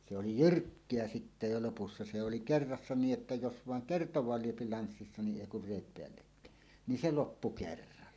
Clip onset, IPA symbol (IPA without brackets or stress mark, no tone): s